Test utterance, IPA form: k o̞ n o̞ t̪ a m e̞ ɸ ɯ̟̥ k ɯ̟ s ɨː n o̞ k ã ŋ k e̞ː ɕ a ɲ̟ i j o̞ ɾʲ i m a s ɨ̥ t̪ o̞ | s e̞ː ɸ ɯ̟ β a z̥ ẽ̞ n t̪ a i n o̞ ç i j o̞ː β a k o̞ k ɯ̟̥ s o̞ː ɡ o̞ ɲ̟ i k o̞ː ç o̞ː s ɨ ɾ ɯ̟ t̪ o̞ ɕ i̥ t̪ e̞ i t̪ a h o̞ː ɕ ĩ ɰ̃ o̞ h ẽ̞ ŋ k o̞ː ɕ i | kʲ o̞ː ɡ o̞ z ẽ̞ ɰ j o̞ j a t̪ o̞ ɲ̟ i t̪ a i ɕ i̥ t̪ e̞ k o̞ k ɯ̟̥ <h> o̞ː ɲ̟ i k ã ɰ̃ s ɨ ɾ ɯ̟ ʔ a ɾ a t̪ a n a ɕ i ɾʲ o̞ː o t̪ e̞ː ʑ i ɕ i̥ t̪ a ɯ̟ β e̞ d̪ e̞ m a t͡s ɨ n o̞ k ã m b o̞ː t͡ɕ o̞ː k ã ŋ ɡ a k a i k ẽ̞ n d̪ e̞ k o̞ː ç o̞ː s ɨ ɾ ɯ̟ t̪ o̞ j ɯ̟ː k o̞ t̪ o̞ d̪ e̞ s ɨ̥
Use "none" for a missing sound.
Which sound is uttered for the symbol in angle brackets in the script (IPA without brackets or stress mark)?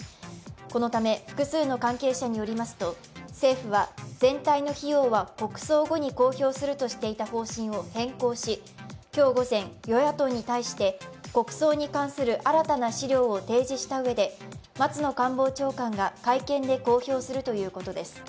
s